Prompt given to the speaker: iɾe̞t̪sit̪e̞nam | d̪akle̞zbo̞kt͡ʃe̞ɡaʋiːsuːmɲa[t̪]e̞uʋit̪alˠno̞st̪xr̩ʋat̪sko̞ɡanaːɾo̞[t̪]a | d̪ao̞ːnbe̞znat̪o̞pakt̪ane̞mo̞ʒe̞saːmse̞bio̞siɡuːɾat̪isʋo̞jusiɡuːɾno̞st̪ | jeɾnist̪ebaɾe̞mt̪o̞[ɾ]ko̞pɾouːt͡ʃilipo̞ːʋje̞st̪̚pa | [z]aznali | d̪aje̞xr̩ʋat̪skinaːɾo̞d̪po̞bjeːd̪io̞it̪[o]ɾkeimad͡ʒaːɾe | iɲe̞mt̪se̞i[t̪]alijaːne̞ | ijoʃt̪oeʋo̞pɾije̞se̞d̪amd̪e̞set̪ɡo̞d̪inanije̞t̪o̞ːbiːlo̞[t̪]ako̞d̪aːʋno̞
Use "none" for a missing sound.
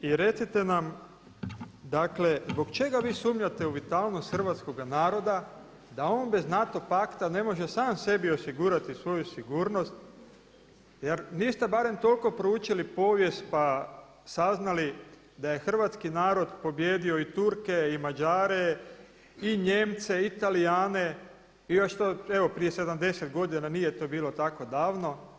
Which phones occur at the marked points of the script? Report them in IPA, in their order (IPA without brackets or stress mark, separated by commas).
t̪, d̪, l, s, u, t̪, t̪